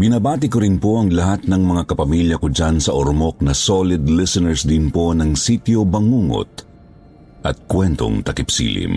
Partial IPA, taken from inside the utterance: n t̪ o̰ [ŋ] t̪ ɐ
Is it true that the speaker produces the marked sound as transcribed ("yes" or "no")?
yes